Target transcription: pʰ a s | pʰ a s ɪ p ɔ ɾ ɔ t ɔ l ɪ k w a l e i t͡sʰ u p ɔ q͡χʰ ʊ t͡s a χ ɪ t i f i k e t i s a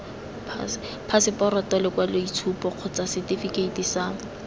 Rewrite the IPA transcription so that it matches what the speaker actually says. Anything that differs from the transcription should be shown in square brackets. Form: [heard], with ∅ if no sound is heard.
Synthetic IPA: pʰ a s | pʰ a s ɪ p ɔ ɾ ɔ t ɔ l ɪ k w a l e i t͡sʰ u p ɔ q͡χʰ ʊ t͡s a [s] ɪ t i f i k e t i s a